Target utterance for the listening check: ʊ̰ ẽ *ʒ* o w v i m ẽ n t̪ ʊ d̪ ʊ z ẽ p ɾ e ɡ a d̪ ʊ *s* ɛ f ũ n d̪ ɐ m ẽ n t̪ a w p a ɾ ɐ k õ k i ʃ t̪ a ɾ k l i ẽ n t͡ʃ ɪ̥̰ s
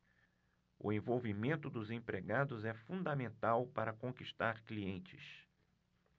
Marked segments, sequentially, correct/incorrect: incorrect: v, incorrect: z

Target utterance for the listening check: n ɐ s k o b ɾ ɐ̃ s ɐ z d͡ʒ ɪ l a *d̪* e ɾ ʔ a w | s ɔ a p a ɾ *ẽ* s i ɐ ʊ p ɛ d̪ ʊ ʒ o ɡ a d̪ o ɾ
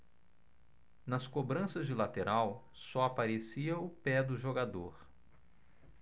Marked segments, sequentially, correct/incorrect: incorrect: t̪, incorrect: e

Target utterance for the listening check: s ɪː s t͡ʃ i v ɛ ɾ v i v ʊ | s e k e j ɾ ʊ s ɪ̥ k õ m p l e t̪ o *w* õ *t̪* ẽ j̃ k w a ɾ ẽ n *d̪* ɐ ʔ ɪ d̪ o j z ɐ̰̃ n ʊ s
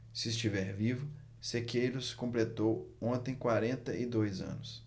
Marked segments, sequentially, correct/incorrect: correct, correct, incorrect: t̪

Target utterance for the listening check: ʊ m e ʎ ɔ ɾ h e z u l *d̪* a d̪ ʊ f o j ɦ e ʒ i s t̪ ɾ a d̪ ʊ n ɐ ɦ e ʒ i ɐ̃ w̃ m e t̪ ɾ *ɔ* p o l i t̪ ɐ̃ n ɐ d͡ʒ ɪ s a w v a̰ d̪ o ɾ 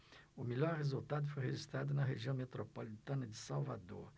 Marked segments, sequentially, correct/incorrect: incorrect: t̪, incorrect: o

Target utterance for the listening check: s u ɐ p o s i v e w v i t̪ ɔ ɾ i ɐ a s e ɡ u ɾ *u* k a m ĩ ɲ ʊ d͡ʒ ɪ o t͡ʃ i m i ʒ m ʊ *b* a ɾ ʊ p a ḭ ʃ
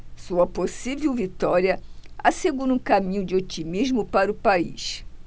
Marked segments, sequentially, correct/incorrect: incorrect: ũ, incorrect: p

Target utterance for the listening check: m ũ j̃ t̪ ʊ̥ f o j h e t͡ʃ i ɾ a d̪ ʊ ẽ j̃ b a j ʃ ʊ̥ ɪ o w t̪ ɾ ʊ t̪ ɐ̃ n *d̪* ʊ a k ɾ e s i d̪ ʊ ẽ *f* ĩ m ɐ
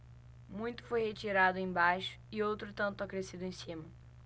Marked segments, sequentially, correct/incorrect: incorrect: t̪, incorrect: s

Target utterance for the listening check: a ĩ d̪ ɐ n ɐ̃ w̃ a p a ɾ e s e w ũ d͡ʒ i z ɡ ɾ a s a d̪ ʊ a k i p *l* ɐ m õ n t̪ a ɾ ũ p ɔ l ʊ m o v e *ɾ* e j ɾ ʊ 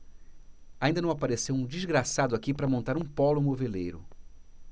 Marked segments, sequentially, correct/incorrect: incorrect: ɾ, incorrect: l

